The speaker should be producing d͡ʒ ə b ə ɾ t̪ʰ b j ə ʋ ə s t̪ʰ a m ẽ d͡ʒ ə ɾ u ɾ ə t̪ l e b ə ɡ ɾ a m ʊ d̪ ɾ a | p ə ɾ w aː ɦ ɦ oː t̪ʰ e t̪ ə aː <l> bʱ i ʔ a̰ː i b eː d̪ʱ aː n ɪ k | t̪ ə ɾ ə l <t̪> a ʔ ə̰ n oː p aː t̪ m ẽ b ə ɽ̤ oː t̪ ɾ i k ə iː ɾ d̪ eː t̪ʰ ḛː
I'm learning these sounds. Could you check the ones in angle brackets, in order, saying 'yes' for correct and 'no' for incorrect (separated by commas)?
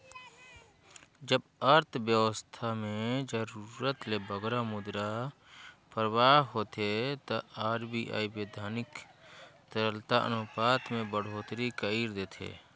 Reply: no, yes